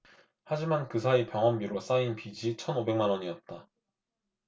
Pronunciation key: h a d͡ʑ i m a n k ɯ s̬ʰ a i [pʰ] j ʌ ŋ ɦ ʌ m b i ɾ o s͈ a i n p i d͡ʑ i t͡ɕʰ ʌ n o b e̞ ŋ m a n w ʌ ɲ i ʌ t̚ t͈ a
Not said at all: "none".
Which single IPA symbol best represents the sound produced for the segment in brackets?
p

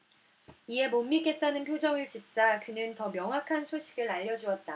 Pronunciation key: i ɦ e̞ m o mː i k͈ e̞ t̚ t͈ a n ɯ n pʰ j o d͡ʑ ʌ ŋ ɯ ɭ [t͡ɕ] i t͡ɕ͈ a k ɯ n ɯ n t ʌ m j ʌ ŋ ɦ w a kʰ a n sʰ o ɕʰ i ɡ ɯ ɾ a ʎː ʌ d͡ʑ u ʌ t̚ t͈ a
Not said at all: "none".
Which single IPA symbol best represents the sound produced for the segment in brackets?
t͡ɕ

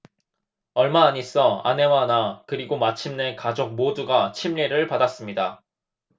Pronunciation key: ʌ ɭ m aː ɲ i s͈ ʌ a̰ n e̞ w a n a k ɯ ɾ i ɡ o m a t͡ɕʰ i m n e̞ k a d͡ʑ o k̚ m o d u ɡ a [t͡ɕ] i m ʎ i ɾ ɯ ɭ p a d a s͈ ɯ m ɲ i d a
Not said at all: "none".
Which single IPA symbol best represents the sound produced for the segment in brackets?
t͡ɕʰ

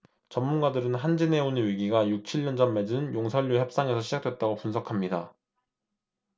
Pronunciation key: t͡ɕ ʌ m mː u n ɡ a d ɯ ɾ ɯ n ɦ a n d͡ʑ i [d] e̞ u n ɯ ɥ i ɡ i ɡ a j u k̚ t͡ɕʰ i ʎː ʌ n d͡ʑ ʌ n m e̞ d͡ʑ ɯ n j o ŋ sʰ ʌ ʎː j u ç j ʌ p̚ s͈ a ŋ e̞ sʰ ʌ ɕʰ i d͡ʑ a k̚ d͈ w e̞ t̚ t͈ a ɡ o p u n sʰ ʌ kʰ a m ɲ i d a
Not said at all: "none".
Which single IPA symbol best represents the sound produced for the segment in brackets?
n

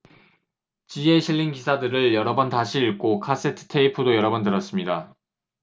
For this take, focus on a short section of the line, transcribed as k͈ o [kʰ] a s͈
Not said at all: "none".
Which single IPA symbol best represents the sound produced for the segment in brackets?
kʰ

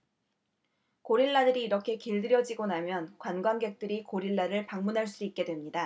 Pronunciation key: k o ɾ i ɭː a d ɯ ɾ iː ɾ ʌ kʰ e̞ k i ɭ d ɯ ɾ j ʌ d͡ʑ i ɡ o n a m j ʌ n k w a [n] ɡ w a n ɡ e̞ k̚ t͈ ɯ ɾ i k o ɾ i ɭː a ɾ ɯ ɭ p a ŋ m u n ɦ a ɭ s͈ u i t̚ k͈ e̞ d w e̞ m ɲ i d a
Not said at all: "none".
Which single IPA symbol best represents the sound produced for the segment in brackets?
n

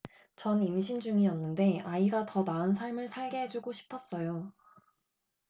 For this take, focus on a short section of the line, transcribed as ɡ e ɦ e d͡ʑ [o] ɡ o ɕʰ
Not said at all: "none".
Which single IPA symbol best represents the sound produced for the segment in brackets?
u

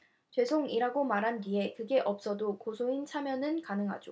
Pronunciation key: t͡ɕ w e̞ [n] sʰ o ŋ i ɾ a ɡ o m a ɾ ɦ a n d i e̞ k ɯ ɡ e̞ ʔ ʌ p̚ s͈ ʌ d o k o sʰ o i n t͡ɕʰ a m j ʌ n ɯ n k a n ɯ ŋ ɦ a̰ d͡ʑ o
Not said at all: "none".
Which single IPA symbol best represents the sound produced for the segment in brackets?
none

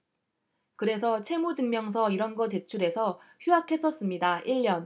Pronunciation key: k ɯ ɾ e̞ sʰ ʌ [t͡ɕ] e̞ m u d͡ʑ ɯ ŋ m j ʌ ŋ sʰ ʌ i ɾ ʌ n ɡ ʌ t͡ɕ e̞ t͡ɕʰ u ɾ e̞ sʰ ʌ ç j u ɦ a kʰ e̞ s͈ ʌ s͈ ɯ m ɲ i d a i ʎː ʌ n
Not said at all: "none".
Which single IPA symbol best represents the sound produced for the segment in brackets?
t͡ɕʰ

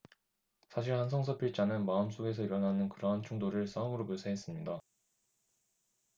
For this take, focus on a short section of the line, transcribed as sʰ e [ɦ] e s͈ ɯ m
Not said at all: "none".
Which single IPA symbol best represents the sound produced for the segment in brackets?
ɦ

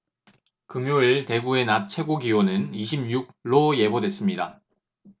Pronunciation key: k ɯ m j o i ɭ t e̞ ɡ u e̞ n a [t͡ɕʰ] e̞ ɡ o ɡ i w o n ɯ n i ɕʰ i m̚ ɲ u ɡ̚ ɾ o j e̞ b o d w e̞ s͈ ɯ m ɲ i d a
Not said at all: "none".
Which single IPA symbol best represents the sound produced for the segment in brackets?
t͡ɕʰ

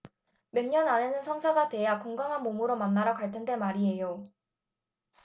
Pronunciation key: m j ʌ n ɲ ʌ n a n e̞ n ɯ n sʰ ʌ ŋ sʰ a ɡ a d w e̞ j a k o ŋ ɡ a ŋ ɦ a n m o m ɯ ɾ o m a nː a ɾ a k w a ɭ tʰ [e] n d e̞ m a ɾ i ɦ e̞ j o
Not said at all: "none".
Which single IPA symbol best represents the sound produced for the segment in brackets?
e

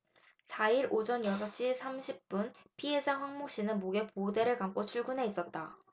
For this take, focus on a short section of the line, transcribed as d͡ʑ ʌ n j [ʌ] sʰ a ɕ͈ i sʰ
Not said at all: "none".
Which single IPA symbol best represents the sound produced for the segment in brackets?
ʌ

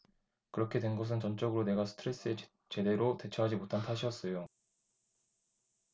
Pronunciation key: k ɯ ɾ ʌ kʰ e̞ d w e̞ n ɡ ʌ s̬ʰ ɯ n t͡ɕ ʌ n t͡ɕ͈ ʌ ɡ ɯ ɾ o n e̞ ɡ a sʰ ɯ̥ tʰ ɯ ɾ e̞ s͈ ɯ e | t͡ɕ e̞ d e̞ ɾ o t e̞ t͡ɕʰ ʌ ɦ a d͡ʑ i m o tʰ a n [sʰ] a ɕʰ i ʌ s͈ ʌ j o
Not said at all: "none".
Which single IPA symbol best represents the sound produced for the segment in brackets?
tʰ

